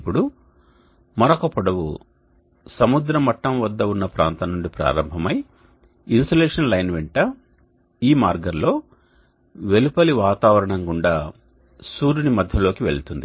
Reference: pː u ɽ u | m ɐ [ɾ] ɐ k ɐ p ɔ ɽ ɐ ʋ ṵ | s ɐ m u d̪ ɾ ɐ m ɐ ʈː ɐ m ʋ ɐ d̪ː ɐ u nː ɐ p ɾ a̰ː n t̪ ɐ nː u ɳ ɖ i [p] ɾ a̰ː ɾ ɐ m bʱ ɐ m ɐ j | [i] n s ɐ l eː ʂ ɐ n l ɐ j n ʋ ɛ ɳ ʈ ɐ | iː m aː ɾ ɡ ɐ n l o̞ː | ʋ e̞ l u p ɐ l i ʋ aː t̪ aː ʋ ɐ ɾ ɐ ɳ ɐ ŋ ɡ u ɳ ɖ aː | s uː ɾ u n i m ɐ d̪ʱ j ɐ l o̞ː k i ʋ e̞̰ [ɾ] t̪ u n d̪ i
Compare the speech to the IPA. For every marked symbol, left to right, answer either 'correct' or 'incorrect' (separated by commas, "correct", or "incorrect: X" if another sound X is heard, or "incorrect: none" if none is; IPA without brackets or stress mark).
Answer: correct, correct, correct, incorrect: ɭ